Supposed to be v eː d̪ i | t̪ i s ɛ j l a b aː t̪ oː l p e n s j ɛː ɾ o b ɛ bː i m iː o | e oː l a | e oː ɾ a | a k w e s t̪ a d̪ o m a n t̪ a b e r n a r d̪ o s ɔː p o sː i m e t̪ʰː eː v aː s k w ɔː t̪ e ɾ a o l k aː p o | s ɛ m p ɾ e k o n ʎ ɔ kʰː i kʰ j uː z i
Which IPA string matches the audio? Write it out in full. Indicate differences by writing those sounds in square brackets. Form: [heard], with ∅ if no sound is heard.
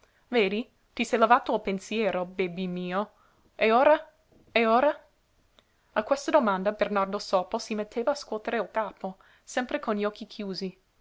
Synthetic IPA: v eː d̪ i | t̪ i s ɛ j l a [v] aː t̪ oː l p e n s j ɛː ɾ o b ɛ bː i m iː o | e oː [ɾ] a | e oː ɾ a | a k w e s t̪ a d̪ o m a n [d̪] a b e r n a r d̪ o s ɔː p o [s] i m e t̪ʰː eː v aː s k w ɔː t̪ e ɾ [e] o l k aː p o | s ɛ m p ɾ e k o n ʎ ɔ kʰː i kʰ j uː z i

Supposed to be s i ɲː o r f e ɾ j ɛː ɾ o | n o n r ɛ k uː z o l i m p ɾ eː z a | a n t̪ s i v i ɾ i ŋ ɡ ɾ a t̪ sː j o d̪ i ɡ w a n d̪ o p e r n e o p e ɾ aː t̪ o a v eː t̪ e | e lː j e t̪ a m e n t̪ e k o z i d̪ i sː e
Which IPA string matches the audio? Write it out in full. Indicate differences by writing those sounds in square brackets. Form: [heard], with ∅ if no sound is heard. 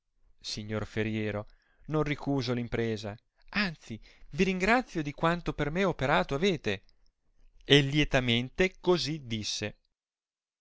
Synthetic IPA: s i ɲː o r f e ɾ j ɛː ɾ o | n o n r [i] k uː z o l i m p ɾ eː z a | a n t̪ s i v i ɾ i ŋ ɡ ɾ a t̪ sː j o d̪ i [k] w a n [t̪] o p e r [m] e o p e ɾ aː t̪ o a v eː t̪ e | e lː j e t̪ a m e n t̪ e k o z i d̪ i sː e

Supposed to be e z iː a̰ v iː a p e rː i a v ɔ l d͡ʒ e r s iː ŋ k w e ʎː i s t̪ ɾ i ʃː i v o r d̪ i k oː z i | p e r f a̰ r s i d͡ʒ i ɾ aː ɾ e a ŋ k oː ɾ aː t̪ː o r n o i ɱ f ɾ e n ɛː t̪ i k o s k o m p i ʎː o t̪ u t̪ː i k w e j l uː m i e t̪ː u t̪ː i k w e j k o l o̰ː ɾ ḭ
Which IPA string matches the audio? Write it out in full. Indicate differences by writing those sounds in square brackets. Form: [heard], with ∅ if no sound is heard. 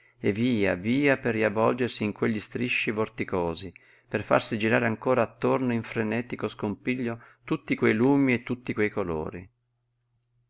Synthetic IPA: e [v] iː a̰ v iː a p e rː i a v ɔ l d͡ʒ e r s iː ŋ k w e ʎː i s t̪ ɾ i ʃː i v o r [t̪] i k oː z i | p e r f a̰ r s i d͡ʒ i ɾ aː ɾ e a ŋ k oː ɾ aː t̪ː o r n o i ɱ f ɾ e n ɛː t̪ i k o s k o m p i ʎː o t̪ u t̪ː i k w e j l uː m i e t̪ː u t̪ː i k w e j k o l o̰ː ɾ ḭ

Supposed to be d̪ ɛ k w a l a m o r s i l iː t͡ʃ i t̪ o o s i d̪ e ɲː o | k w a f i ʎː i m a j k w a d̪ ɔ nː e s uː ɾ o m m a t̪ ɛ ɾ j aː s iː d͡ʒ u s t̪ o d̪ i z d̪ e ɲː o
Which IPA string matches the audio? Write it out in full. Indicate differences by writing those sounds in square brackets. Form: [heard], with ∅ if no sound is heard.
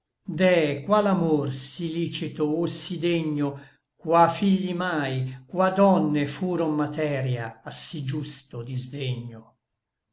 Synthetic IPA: d̪ ɛ k w a l a m o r s i l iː t͡ʃ i t̪ o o s i d̪ e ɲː o | k w a f i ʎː i m a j k w a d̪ ɔ nː e [f] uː ɾ o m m a t̪ ɛ ɾ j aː s [i] d͡ʒ u s t̪ o d̪ i z d̪ e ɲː o

